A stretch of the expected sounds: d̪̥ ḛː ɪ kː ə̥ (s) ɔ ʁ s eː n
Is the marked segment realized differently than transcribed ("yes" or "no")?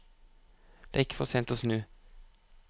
yes